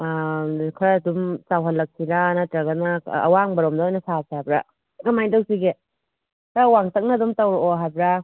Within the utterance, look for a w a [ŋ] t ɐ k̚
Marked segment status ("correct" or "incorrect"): correct